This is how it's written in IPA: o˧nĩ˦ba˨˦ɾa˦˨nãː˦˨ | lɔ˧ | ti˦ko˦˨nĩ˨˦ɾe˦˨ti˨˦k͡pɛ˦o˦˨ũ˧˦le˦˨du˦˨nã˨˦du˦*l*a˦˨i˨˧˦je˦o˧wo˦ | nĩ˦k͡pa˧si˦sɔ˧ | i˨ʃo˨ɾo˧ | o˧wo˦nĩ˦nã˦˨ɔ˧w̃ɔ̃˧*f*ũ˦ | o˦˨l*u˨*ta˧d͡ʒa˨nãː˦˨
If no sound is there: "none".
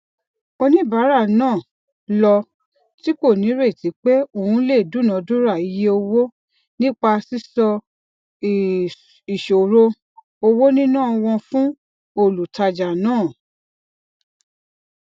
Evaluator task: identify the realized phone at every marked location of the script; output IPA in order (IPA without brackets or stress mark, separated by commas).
ɾ, f, u˨